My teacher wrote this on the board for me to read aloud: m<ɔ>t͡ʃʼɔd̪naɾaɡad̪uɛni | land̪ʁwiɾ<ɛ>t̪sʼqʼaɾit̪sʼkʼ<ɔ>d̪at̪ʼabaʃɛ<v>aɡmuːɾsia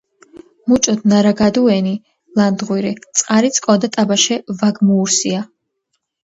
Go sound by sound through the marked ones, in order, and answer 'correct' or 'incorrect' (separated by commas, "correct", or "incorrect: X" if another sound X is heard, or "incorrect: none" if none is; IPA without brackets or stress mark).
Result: incorrect: u, incorrect: i, correct, correct